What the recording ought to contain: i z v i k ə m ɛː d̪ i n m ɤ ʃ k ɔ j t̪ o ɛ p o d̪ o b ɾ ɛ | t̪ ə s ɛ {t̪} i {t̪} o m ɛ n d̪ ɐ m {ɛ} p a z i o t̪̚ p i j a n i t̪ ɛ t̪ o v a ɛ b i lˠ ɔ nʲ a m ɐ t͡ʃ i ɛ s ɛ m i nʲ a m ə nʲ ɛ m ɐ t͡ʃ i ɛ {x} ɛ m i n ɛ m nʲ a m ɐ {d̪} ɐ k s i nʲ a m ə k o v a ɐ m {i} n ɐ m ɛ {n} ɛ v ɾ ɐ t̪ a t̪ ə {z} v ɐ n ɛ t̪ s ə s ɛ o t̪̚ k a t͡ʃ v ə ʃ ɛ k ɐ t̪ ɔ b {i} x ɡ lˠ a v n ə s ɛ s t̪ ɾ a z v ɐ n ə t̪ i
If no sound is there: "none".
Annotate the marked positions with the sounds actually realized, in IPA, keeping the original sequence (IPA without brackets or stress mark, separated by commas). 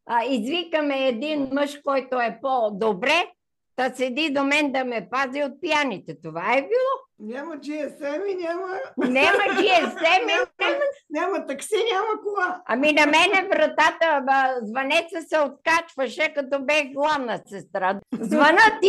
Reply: d̪, d̪, ɛ, s, t̪, i, n, z, ɛ